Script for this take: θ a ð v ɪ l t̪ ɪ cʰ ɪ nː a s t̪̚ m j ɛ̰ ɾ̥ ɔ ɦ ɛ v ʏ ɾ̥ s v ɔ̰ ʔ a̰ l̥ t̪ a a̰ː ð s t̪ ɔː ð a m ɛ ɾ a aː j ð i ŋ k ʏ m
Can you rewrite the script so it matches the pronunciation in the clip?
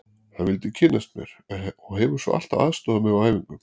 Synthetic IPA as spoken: θ a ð v ɪ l t̪ ɪ cʰ ɪ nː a s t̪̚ m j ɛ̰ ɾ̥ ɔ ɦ ɛ v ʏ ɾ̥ s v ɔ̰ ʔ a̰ l̥ t̪ a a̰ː ð s t̪ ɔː ð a m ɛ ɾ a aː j v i ŋ k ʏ m